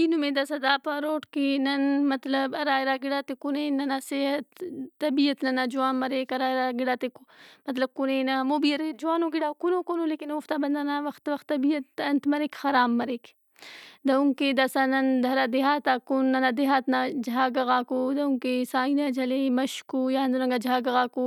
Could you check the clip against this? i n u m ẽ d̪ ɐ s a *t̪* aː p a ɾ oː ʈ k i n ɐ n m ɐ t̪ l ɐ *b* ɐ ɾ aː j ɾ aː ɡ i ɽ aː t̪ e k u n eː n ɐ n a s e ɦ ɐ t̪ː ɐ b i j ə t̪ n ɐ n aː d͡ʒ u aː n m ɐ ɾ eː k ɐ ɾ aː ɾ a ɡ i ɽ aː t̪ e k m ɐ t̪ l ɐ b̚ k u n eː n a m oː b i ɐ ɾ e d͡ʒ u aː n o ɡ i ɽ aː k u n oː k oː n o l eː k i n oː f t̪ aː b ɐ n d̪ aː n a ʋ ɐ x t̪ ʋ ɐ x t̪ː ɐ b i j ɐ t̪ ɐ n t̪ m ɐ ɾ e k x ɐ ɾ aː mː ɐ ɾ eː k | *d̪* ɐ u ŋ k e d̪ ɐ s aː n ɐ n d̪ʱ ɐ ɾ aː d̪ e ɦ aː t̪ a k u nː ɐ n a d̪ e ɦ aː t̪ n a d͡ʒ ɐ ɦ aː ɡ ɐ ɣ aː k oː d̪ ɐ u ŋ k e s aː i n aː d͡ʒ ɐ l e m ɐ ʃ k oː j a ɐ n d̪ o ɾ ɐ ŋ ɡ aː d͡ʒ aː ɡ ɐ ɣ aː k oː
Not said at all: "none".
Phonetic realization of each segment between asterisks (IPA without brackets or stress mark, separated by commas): d̪, b, d̪